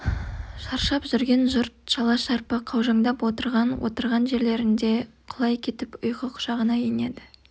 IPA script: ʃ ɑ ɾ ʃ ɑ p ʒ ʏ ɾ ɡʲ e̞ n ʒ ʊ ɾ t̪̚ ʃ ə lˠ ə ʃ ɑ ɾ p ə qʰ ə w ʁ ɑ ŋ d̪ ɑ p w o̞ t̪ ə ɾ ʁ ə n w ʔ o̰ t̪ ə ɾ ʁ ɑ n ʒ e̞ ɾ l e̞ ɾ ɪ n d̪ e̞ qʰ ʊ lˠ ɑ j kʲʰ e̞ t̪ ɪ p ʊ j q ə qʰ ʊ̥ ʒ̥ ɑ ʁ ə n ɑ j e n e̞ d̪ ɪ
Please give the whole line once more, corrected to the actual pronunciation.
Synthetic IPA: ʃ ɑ ɾ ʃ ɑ p ʒ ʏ ɾ ɡʲ e̞ n ʒ ʊ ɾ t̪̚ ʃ ɑ lˠ ɑ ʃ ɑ ɾ p ə qʰ ɑ w ʒ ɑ ŋ d̪ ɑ p w o̞ t̪ ə ɾ ʁ ɑ n w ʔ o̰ t̪ ə ɾ ʁ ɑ n ʒ e̞ ɾ l e̞ ɾ ɪ n d̪ e̞ qʰ ʊ lˠ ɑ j kʲʰ e̞ t̪ ɪ p ʊ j q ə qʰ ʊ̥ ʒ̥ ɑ ʁ ə n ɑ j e n e̞ d̪ ɪ